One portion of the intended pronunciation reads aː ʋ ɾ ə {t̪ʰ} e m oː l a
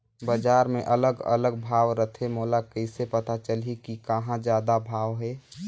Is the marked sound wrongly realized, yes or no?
no